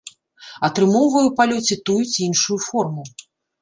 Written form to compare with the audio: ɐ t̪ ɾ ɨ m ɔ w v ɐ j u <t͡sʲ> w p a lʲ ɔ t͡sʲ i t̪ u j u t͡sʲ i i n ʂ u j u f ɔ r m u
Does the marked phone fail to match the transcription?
yes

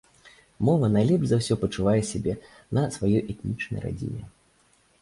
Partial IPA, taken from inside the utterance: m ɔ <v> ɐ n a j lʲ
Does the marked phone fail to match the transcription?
no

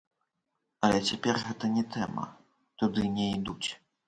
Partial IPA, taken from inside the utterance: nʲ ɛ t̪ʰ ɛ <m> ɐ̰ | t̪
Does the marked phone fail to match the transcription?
no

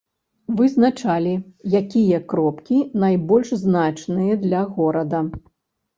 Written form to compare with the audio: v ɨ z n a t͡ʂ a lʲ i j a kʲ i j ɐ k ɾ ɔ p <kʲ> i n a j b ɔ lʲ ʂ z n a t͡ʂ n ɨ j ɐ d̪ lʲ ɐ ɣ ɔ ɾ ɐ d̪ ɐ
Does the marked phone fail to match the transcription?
no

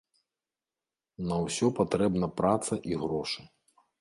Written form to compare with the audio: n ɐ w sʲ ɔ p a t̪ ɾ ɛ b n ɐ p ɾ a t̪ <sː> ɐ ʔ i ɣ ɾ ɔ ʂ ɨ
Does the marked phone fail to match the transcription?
yes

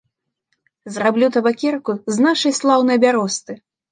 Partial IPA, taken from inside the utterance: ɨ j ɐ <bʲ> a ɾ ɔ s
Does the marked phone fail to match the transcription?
no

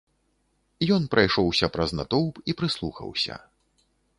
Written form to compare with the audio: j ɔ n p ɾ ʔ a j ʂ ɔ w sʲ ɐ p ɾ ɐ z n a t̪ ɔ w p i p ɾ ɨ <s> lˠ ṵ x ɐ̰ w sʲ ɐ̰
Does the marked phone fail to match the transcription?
no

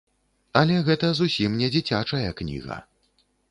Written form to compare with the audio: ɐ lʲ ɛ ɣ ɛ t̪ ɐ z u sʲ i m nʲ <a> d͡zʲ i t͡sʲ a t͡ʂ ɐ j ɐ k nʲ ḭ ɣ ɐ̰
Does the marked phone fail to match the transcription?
yes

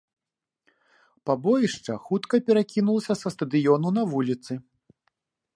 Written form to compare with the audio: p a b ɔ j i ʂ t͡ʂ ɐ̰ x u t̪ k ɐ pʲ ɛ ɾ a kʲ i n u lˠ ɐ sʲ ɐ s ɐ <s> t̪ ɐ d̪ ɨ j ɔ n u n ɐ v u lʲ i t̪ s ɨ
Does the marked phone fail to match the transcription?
no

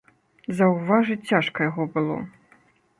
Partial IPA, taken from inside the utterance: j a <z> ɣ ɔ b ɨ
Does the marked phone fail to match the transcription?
yes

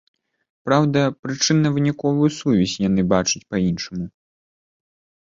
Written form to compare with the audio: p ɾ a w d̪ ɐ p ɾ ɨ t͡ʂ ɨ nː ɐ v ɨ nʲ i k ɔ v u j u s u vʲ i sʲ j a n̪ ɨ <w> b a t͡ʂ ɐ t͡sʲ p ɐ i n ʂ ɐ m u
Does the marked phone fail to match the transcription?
yes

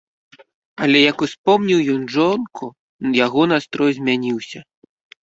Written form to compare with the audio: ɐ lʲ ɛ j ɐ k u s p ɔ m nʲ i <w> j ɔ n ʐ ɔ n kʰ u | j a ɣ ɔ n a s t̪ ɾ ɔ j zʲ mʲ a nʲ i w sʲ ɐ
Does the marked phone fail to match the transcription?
no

